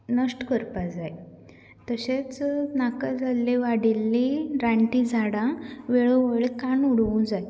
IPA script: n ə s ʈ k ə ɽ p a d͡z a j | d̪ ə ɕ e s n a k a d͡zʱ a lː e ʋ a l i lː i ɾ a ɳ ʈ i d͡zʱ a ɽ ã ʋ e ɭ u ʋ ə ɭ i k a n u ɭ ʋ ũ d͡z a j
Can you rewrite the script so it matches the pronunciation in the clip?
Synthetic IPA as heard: n ə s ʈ k ə ɾ p a d͡z a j | t̪ ə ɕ e t͡s n a k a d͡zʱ a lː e ʋ a ɽ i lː i ɾ a ɳ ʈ i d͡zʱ a ɽ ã ʋ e ɭ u ʋ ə ɭ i k a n u ɽ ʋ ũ d͡z a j